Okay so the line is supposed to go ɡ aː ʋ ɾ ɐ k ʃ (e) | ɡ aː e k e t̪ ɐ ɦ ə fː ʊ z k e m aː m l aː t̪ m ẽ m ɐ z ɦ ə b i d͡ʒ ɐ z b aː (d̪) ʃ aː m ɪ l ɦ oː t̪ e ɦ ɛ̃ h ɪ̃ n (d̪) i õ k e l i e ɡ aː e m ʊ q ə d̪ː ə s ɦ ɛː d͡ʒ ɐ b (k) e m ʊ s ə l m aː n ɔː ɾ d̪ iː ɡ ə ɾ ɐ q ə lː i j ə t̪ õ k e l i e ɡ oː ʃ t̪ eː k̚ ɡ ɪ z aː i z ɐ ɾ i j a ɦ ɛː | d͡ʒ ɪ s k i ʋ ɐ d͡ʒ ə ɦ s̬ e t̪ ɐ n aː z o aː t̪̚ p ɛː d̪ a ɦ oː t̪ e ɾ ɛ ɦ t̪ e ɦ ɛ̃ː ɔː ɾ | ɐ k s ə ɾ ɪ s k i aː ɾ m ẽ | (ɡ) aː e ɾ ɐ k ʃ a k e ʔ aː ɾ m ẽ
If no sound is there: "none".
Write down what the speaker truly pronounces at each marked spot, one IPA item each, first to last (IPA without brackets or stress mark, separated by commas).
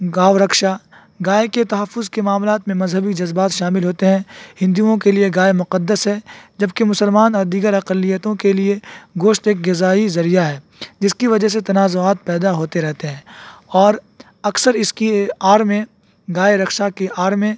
a, t̪, d̪, k, ɡ